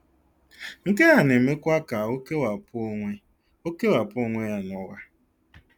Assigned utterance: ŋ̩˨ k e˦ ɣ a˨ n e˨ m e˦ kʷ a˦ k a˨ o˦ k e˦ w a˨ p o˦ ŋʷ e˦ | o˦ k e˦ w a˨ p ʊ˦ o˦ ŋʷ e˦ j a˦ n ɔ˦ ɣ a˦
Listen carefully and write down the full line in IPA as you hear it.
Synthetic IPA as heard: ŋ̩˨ k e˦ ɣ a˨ n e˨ m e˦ kʷ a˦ k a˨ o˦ k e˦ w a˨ p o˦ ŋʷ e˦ | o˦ k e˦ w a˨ p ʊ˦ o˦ ŋʷ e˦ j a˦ n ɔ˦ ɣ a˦